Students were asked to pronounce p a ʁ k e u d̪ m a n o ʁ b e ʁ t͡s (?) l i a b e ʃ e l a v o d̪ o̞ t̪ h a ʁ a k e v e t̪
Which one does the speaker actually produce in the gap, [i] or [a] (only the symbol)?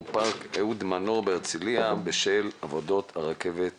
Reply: i